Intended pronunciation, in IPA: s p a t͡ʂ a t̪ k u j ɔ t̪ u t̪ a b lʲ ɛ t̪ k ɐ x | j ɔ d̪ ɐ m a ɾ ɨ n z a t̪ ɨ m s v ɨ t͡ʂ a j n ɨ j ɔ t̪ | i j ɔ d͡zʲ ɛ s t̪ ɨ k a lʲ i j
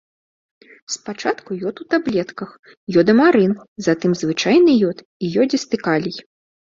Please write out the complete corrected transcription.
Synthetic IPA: s p a t͡ʂ a t̪ k u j ɔ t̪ u t̪ a b lʲ ɛ t̪ k ɐ x | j ɔ d̪ ɐ m a ɾ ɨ n z a t̪ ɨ m z v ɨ t͡ʂ a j n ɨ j ɔ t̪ | i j ɔ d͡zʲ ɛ s t̪ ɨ k a lʲ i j